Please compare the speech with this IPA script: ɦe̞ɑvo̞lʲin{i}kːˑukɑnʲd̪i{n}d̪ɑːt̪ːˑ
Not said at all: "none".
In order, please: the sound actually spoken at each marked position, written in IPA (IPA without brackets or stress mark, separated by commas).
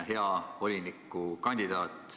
i, none